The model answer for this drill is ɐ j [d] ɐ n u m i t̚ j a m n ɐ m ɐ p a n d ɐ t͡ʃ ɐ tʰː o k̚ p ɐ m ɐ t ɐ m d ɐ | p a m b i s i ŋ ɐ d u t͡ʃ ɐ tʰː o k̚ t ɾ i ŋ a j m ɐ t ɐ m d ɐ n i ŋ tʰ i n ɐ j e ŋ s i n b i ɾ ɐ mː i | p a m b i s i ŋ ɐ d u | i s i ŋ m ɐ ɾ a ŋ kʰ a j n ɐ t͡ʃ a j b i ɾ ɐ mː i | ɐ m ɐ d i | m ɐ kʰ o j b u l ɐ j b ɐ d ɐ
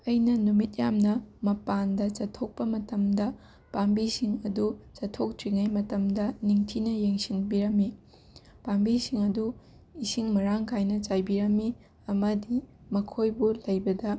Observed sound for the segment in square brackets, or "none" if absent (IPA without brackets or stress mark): n